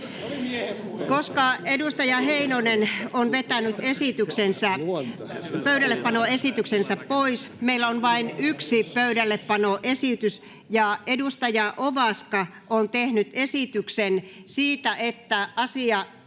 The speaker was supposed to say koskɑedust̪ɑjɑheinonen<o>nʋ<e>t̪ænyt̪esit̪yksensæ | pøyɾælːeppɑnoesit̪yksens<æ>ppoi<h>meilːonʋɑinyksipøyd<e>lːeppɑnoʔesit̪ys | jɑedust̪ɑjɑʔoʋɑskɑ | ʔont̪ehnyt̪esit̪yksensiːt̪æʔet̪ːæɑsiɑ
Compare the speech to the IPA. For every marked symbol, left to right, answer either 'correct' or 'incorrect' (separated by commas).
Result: correct, correct, correct, incorrect, incorrect